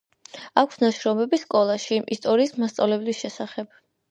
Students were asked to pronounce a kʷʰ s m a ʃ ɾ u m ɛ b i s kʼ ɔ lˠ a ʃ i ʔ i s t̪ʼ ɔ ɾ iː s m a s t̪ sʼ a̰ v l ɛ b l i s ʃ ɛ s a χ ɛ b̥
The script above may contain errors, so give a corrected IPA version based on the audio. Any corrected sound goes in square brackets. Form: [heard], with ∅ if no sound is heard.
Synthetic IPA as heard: a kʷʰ s [n] a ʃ ɾ [ɔ] m ɛ b i s kʼ ɔ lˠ a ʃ i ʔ i s t̪ʼ ɔ ɾ iː s m a s t̪ sʼ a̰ v l ɛ b l i s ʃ ɛ s a χ ɛ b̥